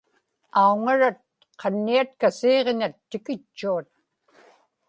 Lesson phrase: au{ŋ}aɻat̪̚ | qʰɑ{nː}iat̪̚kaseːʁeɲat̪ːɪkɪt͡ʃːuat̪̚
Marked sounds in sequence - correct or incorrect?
correct, correct

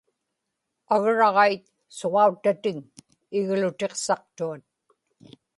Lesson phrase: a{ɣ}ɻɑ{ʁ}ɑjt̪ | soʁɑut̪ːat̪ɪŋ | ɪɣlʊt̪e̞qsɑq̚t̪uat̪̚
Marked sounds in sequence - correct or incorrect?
correct, correct

